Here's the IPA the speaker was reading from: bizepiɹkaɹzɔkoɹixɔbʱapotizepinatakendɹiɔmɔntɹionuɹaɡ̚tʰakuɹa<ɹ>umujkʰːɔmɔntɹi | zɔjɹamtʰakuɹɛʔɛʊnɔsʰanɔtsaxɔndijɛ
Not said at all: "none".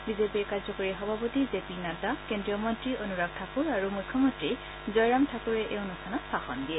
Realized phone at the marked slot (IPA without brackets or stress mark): ɹ